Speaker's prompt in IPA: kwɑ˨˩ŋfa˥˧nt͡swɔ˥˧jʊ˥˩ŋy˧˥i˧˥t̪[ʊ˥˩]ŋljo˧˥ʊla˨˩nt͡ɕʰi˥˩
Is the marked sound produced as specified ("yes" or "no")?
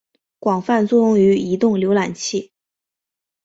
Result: yes